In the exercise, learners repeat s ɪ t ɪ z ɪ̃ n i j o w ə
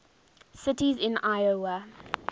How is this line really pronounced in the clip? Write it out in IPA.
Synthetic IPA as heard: s ɪ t i z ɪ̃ n a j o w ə